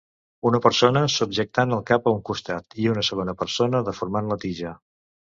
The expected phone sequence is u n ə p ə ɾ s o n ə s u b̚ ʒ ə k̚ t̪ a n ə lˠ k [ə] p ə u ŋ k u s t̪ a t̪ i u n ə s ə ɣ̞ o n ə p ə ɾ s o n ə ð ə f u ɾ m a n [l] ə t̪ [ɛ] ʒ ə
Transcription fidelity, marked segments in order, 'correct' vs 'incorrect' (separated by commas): incorrect, correct, incorrect